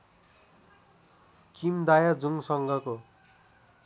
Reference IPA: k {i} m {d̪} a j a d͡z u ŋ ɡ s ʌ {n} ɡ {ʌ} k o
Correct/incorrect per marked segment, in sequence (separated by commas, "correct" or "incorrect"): correct, correct, incorrect, correct